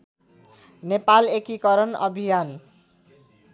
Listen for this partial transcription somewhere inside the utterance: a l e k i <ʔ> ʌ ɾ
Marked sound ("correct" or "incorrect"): incorrect